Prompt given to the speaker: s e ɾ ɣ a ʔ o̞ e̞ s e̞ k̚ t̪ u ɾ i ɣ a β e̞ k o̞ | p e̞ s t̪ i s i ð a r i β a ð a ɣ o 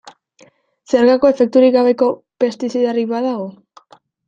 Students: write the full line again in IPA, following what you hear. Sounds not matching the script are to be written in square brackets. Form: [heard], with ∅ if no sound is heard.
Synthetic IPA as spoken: s e ɾ ɣ a [k] o̞ e̞ [f] e̞ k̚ t̪ u ɾ i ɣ a β e̞ k o̞ | p e̞ s t̪ i s i ð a r i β a ð a ɣ o